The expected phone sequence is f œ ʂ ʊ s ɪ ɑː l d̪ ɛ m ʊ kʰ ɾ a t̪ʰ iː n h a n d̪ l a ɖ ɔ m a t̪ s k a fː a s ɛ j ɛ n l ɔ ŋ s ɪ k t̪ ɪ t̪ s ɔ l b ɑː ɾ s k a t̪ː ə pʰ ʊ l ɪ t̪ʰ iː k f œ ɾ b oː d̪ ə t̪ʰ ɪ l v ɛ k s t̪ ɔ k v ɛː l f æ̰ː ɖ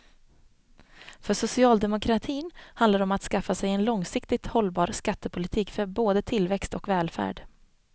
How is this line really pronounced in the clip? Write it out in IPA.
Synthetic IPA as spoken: f œ ʂ ʊ s ɪ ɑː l d̪ ɛ m ʊ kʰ ɾ a t̪ʰ iː n h a n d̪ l a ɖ ɔ m a t̪ s k a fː a s ɛ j ɛ n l ɔ ŋ s ɪ k t̪ ɪ t̪ h ɔ l b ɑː ɾ s k a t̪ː ə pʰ ʊ l ɪ t̪ʰ iː k f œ ɾ b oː d̪ ə t̪ʰ ɪ l v ɛ k s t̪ ɔ k v ɛː l f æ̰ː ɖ